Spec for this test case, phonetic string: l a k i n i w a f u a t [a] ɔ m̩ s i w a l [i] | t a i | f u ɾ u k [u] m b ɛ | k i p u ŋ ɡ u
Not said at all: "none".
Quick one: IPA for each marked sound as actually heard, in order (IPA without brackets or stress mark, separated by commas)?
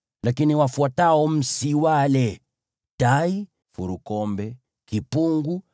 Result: a, ɛ, ɔ